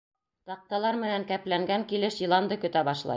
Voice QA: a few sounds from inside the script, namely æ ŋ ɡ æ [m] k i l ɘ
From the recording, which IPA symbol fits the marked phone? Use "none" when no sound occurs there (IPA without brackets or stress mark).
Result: ŋ